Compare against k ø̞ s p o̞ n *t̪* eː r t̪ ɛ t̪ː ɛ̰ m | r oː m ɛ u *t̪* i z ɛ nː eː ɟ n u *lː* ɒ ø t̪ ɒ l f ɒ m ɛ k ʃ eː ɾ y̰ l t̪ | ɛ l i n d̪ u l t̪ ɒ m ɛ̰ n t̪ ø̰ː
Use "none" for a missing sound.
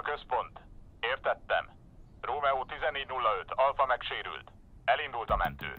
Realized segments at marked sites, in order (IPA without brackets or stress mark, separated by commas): t̪, t̪, lː